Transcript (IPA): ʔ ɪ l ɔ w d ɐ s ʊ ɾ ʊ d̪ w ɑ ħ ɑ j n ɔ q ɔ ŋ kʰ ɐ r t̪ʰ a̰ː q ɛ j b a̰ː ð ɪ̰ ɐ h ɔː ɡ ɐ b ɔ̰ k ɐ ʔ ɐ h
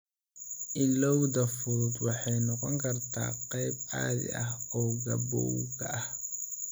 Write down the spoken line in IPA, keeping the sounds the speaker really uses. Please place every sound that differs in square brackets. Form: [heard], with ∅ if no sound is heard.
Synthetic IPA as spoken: ʔ ɪ l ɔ w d ɐ [f] ʊ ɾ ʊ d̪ w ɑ ħ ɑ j n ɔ q ɔ ŋ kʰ ɐ r t̪ʰ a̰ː q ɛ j b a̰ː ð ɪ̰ ɐ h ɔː ɡ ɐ b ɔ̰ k ɐ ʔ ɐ h